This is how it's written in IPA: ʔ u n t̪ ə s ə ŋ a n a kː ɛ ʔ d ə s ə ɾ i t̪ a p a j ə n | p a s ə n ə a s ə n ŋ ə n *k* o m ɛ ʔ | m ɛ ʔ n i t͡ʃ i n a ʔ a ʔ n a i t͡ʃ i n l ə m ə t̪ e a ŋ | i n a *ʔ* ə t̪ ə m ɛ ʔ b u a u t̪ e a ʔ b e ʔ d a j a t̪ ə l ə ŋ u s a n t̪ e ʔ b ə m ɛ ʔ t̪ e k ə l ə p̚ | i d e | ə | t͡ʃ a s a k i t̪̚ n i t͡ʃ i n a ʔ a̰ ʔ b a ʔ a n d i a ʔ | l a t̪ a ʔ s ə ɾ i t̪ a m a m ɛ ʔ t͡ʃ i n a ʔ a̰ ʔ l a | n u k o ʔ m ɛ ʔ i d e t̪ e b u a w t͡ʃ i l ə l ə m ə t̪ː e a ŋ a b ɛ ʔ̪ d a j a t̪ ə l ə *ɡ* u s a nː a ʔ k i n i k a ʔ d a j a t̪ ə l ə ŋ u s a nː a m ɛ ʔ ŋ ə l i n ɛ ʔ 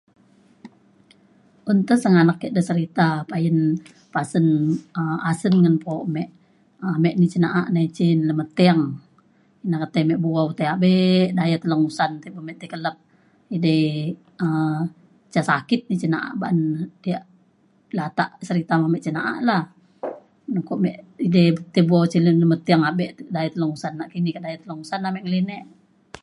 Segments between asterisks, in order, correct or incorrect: incorrect: p, incorrect: k, incorrect: ŋ

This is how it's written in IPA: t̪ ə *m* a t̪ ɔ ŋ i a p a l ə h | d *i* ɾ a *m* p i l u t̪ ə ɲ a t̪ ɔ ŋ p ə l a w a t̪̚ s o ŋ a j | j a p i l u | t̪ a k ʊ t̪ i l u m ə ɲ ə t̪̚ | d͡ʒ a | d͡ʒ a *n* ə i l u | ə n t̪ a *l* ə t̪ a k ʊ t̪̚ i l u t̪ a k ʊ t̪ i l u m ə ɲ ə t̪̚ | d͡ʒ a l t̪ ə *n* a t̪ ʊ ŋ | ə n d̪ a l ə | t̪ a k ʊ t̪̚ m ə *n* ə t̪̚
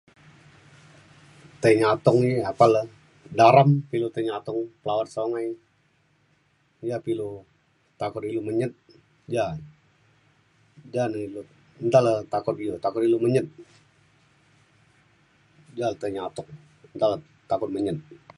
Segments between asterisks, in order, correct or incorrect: incorrect: ɲ, incorrect: a, correct, correct, correct, incorrect: ɲ, incorrect: ɲ

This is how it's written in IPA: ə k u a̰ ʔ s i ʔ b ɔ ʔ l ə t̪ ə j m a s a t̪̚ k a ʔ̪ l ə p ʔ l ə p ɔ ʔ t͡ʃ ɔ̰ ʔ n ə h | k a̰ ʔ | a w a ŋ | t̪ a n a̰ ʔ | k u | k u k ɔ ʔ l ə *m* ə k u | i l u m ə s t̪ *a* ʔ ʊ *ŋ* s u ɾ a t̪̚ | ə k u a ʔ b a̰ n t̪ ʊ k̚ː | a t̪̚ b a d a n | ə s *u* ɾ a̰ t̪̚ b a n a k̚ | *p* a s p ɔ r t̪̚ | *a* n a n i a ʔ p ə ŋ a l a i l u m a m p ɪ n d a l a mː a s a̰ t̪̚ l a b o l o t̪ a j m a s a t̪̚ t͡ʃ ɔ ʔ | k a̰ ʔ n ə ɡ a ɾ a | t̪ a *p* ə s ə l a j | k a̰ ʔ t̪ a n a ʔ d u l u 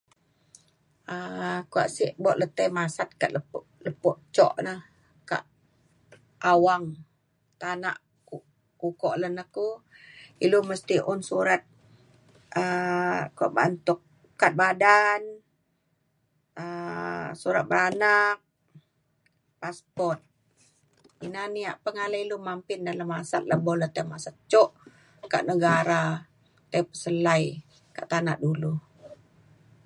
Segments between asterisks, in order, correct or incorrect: incorrect: n, incorrect: i, incorrect: n, correct, correct, incorrect: i, correct

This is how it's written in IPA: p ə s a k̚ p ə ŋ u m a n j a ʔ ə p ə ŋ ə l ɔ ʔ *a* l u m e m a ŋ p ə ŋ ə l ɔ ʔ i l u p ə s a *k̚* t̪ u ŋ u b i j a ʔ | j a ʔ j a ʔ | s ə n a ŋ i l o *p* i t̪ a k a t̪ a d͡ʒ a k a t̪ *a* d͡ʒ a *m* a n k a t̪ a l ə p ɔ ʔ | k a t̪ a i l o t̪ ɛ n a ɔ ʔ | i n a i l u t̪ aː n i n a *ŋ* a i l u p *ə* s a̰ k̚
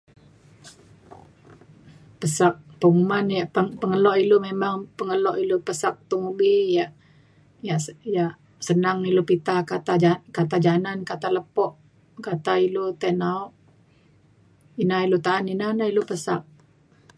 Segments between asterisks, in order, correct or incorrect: incorrect: i, correct, correct, correct, incorrect: n, incorrect: n, correct

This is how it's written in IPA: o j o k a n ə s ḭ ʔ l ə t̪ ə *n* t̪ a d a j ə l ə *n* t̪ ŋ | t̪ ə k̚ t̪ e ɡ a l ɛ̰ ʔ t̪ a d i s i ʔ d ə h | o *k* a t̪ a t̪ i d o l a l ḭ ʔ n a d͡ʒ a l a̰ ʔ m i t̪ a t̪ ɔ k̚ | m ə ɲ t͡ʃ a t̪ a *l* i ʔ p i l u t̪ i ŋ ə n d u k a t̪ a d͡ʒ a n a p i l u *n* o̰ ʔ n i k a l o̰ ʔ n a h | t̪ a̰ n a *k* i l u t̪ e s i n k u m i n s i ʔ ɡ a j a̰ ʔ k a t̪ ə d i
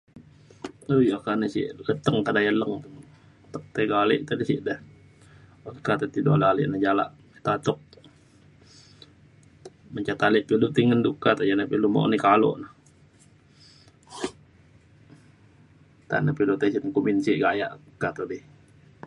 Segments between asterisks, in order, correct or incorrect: incorrect: ŋ, incorrect: ŋ, correct, correct, incorrect: m, incorrect: p

